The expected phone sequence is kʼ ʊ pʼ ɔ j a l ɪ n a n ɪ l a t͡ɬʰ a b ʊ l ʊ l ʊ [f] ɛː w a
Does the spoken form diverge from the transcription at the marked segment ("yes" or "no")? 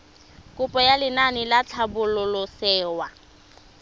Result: yes